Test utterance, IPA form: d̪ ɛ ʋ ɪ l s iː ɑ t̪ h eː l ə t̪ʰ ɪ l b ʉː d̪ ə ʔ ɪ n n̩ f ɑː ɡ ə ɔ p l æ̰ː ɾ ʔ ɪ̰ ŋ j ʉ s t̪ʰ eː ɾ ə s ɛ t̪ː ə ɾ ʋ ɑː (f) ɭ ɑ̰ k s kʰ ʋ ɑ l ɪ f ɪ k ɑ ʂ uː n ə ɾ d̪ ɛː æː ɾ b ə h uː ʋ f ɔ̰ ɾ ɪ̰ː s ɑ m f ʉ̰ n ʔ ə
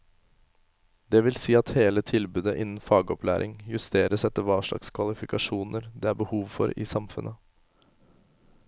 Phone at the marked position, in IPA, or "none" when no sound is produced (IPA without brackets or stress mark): ʂ